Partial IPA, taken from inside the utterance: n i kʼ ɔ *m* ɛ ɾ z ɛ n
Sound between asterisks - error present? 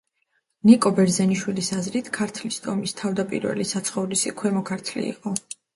yes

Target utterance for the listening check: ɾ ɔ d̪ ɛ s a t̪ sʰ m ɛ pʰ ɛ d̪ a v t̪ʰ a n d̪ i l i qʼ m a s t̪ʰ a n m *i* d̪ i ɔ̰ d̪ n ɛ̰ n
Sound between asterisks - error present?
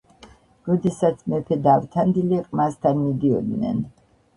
no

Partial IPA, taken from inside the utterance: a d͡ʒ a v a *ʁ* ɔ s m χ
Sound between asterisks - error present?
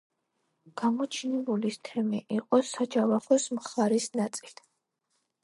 yes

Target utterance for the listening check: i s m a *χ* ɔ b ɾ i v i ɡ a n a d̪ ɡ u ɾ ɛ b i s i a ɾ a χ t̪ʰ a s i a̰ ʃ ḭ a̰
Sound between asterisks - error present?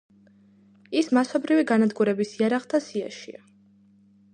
yes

